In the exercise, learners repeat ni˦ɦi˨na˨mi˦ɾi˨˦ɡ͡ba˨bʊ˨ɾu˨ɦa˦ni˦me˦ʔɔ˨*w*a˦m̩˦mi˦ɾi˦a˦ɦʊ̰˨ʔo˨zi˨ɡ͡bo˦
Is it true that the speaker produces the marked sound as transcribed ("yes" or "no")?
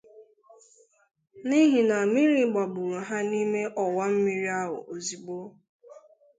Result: yes